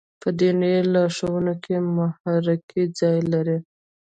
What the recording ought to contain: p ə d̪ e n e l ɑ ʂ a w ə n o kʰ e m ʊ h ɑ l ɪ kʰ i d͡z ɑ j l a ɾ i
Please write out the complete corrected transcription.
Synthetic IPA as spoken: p ə d̪ e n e l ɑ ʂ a w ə n o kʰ e m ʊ h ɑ ɾ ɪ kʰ i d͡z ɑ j l a ɾ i